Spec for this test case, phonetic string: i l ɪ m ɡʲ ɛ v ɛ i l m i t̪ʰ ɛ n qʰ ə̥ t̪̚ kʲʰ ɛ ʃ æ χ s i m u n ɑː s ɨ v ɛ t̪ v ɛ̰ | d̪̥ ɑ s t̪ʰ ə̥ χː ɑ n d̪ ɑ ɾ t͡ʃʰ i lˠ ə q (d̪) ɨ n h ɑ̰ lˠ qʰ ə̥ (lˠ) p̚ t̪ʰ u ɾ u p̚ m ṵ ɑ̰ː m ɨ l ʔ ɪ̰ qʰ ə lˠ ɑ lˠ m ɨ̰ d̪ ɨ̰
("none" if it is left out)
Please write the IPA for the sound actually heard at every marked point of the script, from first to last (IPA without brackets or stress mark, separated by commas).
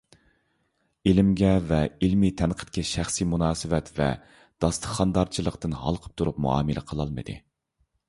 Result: t̪, none